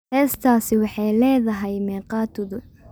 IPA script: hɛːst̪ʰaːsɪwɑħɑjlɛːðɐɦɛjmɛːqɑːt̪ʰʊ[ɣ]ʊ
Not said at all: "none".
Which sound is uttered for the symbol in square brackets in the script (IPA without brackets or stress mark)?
ð